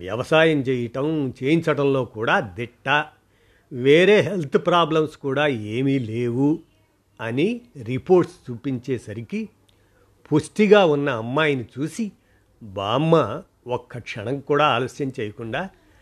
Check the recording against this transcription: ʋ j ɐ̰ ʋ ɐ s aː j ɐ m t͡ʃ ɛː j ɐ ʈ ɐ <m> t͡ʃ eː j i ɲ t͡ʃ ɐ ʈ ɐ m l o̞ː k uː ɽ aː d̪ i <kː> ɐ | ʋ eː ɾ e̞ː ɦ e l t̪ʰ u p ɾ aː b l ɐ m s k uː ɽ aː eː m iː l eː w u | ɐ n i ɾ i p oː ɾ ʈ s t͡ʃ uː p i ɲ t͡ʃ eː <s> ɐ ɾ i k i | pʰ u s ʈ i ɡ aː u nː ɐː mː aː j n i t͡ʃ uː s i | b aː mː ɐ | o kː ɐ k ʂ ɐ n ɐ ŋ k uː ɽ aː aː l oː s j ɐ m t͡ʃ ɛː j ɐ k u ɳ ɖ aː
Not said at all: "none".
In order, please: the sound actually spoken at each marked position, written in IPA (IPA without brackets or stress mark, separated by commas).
m, ʈː, s